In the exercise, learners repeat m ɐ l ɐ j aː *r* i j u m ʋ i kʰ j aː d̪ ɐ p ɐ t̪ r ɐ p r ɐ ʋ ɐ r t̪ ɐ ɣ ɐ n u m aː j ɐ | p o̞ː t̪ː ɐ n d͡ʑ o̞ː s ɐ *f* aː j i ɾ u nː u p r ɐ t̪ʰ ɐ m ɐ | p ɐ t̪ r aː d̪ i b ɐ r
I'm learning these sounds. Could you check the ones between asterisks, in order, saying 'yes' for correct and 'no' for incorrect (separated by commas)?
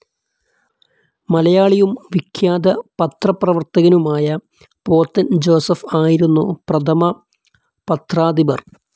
no, yes